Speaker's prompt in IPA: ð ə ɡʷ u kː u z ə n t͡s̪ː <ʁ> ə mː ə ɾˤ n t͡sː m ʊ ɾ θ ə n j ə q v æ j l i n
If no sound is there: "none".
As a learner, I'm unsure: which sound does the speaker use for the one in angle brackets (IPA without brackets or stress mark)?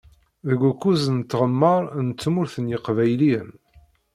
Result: ʁ